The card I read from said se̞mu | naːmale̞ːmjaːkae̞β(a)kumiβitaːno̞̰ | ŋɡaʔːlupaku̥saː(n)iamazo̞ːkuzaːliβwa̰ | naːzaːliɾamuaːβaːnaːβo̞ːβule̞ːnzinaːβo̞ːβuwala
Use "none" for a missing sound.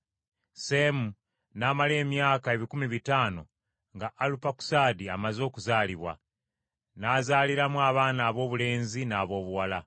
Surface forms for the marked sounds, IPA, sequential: i, d

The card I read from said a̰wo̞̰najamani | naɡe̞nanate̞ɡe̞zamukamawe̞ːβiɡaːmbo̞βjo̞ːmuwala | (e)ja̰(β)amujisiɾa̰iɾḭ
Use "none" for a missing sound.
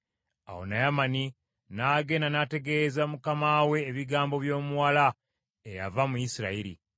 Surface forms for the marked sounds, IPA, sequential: e, v

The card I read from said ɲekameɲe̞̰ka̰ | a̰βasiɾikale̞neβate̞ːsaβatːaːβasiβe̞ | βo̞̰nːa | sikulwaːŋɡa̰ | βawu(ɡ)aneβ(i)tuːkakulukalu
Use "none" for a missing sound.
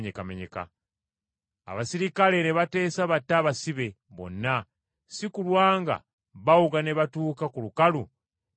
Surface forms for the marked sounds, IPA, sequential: ɡ, a

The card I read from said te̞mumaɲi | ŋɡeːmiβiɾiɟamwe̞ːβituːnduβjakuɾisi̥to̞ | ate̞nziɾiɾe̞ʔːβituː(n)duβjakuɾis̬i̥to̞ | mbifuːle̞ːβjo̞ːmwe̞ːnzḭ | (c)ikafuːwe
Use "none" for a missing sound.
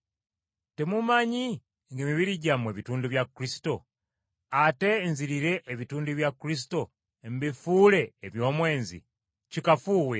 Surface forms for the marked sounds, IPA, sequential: n, c

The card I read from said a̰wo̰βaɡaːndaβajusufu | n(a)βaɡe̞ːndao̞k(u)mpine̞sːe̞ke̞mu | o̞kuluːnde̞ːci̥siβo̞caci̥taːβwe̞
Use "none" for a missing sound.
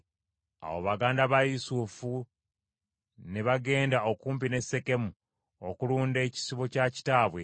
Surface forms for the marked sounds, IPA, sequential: e, uː

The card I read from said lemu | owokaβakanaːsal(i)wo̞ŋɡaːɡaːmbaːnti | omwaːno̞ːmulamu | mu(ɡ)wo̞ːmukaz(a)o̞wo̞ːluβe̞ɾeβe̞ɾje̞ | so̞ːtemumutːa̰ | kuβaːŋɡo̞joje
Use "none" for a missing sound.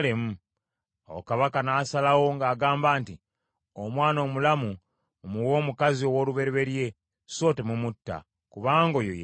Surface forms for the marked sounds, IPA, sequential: a, none, i

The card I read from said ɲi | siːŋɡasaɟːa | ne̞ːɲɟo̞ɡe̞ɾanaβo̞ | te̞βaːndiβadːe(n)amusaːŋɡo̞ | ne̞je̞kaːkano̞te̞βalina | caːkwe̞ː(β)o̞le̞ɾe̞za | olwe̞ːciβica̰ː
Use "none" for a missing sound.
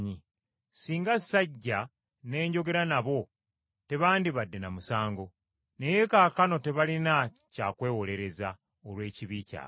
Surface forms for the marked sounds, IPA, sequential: n, w

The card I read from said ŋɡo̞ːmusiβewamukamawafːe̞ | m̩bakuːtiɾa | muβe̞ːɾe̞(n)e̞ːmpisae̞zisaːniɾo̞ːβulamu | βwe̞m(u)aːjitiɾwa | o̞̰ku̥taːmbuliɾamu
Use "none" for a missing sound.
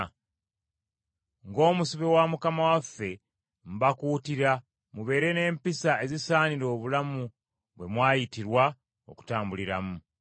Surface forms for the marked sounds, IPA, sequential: n, w

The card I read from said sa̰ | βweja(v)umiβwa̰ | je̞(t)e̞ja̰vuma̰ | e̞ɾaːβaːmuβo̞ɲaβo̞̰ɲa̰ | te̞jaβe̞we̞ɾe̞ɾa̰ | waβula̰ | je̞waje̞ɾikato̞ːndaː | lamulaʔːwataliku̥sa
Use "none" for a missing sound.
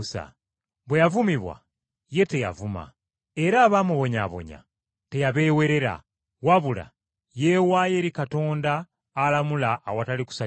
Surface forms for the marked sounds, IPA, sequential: v, t

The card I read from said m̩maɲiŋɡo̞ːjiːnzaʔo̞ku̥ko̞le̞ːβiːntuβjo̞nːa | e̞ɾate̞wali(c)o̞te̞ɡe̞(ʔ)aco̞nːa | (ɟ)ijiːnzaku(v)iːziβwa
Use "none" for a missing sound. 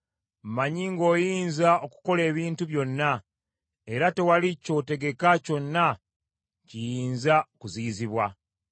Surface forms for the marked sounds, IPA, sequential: c, k, c, z

